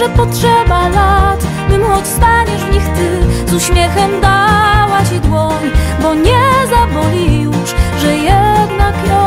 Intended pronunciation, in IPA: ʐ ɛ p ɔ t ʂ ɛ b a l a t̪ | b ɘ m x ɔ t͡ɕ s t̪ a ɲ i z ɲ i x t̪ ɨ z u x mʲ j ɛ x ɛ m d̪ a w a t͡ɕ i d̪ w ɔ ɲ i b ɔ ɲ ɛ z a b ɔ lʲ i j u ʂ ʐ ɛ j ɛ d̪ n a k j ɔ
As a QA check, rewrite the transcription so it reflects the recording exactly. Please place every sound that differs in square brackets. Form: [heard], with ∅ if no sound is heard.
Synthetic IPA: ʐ ɛ p ɔ t ʂ ɛ b a l a t̪ | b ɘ m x ɔ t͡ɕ s t̪ a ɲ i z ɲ i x t̪ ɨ z u [ɕ] mʲ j ɛ x ɛ m d̪ a w a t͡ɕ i d̪ w ɔ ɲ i b ɔ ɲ ɛ z a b ɔ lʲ i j u ʂ ʐ ɛ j ɛ d̪ n a k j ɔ